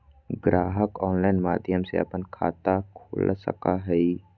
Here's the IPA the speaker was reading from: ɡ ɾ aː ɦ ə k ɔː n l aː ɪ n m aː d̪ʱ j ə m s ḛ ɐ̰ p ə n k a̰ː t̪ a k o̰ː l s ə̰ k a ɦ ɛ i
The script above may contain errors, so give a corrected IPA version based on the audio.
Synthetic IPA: ɡ ɾ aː ɦ ə k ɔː n l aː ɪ n m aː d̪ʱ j ə m s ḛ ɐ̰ p ə n kʰ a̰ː t̪ a kʰ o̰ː l s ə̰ k a ɦ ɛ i